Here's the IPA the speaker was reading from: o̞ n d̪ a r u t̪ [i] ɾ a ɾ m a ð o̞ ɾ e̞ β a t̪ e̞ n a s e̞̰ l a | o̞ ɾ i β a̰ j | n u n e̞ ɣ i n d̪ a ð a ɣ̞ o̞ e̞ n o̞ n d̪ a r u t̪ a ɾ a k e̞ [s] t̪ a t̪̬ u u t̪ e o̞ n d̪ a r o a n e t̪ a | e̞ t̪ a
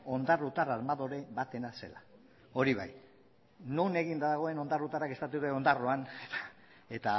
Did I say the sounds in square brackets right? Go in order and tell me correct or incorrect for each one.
incorrect: a, correct

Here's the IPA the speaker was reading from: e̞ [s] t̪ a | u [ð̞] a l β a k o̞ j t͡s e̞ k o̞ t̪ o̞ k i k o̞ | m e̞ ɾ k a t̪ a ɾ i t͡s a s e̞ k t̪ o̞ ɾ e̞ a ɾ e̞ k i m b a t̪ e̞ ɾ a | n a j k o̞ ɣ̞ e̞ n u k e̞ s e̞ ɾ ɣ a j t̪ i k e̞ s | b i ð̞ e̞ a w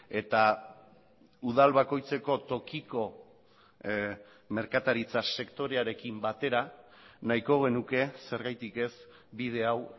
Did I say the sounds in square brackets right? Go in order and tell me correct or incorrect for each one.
incorrect: none, correct

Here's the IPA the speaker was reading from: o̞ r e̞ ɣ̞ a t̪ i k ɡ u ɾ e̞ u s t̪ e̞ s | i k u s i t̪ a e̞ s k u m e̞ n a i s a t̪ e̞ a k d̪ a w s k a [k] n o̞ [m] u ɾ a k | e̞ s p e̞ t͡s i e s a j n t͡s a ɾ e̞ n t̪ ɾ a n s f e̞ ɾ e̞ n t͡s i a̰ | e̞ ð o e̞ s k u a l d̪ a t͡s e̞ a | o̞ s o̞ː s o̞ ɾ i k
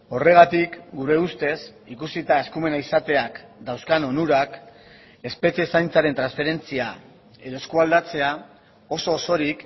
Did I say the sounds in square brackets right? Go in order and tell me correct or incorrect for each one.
incorrect: none, incorrect: n

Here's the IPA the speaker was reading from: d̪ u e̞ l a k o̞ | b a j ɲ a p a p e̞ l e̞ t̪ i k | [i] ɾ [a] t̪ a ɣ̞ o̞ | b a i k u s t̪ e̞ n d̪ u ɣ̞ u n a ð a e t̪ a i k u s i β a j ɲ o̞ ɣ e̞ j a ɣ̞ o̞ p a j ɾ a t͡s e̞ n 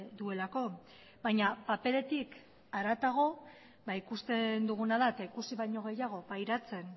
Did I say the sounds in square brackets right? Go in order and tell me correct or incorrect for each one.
incorrect: a, correct

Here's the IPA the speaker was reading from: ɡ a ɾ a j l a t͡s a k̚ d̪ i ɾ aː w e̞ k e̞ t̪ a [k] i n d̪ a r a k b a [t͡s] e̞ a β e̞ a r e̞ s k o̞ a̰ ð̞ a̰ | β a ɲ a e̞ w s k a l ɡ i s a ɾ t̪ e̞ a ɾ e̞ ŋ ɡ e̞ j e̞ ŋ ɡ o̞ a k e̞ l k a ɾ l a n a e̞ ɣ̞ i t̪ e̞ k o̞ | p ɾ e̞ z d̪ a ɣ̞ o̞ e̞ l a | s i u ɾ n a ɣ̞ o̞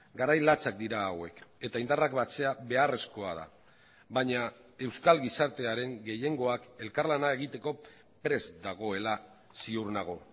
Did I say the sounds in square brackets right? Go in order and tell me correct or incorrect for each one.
incorrect: none, correct

